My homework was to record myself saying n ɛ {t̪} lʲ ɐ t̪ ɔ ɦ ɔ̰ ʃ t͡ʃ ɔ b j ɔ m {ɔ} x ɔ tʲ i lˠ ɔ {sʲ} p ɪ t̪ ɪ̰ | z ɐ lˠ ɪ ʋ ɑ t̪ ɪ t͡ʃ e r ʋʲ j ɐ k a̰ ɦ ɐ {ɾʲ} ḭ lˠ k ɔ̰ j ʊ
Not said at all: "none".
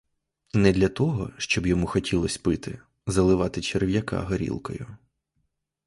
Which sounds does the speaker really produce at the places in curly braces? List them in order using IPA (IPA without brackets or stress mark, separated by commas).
d̪, u, sʲ, ɾʲ